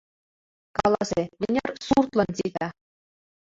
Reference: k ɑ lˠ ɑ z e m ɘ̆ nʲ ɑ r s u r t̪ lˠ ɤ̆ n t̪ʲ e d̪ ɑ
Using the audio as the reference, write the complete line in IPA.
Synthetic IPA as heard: k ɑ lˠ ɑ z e m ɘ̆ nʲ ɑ r s u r t̪ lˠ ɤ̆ n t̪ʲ i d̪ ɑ